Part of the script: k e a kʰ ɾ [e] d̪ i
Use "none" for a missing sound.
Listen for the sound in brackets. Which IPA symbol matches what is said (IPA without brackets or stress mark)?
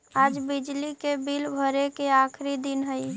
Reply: i